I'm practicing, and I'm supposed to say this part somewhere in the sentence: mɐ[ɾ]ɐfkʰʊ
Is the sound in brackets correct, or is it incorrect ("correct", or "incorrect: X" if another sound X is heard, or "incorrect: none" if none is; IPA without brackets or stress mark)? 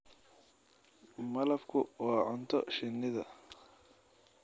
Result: incorrect: l